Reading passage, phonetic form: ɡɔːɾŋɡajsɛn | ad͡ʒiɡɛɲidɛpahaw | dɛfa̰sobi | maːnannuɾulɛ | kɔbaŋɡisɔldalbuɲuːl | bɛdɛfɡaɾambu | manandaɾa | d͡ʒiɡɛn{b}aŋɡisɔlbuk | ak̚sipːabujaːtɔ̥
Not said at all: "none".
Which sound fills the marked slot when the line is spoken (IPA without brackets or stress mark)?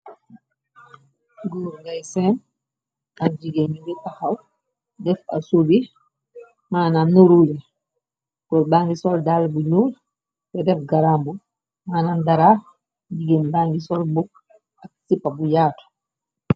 b